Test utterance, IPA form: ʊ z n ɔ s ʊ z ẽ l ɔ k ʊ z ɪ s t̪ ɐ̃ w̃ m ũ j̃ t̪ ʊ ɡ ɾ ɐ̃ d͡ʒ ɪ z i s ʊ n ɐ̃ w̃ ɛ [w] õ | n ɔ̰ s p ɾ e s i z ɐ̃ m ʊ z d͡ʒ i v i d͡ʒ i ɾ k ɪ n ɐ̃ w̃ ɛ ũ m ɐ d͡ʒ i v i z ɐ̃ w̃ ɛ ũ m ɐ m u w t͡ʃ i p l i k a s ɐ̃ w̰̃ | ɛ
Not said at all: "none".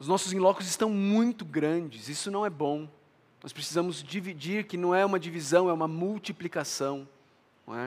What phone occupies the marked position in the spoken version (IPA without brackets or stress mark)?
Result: b